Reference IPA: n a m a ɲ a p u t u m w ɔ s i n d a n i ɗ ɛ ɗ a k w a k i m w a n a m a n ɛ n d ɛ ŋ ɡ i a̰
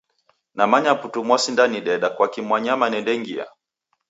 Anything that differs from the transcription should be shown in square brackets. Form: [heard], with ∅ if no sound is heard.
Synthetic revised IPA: n a m a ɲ a p u t u m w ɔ s i n d a n i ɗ ɛ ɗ a k w a k i m w a [ɲ] a m a n ɛ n d ɛ ŋ ɡ i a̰